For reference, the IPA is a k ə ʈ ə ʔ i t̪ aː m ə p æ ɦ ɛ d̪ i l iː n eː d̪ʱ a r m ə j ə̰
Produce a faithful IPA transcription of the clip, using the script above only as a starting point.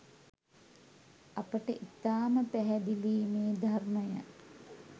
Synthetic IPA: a p ə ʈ ə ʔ i t̪ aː m ə p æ ɦ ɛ d̪ i l iː m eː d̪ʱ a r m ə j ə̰